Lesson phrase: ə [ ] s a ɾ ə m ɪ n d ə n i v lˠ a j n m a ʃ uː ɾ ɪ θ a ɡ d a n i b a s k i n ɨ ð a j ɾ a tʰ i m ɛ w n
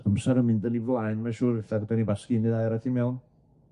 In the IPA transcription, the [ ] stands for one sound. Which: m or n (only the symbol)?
m